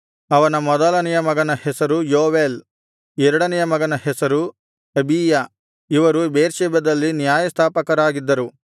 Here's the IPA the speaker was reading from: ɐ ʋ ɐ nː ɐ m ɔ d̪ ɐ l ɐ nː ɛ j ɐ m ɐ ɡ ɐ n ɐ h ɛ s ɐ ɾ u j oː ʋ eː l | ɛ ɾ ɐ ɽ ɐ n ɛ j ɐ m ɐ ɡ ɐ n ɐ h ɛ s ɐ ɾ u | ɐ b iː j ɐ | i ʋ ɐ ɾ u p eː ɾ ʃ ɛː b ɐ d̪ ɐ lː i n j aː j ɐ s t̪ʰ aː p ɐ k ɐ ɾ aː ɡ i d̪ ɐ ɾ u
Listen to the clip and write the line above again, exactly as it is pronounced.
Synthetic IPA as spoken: ɐ ʋ ɐ n ɐ m ɔ d̪ ɐ l ɐ n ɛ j ɐ m ɐ ɡ ɐ n ɐ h ɛ s ɐ ɾ u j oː ʋ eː l | ɛ ɾ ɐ ɽ ɐ n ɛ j ɐ m ɐ ɡ ɐ n ɐ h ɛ s ɐ ɾ u | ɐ b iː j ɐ | i ʋ ɐ ɾ u b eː ɾ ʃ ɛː b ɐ d̪ ɐ lː i n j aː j ɐ s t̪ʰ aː p ɐ k ɐ ɾ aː ɡ i d̪ː ɐ ɾ u